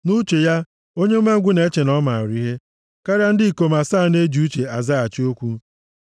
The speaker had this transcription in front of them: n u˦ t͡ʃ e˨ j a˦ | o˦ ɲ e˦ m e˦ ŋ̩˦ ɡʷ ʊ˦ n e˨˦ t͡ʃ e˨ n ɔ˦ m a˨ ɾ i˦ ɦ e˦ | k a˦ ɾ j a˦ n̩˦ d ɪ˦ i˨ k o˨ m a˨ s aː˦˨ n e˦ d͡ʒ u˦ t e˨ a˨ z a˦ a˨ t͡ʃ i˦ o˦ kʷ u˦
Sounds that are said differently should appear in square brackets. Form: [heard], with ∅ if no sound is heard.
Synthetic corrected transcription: n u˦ t͡ʃ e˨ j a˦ | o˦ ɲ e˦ m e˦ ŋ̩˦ ɡʷ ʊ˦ n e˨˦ t͡ʃ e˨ n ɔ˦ m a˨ ɾ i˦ ɦ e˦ | k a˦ ɾ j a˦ n̩˦ d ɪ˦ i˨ k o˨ m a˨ s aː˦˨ n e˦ d͡ʒ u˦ [t͡ʃ] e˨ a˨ z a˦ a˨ t͡ʃ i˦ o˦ kʷ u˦